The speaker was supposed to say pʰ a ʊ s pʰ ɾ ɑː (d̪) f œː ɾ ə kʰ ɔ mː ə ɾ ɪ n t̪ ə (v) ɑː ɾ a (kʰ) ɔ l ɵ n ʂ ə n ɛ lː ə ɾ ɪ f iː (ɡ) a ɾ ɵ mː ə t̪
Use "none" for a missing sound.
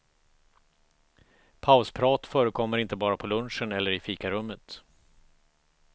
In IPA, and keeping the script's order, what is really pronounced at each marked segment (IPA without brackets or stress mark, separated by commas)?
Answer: t̪, b, pʰ, k